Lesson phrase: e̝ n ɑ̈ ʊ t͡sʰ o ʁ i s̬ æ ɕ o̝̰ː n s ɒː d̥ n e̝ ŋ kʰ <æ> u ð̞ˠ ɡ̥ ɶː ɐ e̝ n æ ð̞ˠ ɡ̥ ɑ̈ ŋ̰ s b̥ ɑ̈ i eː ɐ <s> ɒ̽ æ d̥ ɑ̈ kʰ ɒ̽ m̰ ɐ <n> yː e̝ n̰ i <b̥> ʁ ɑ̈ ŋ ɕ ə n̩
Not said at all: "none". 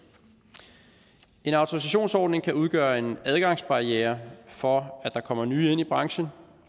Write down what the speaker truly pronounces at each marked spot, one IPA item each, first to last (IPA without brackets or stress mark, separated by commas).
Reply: æ, f, n, b̥